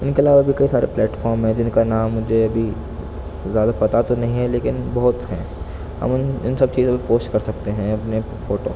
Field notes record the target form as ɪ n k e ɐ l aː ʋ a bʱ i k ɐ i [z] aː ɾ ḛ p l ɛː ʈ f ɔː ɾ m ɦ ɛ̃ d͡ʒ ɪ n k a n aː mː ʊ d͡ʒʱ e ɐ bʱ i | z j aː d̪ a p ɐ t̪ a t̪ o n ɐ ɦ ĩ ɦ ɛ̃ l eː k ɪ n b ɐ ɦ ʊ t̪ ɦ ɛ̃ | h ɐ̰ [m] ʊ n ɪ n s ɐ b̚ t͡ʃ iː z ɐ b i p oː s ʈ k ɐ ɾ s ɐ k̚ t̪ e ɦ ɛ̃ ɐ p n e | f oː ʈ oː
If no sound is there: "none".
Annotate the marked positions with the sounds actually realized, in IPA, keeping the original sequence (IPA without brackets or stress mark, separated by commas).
s, m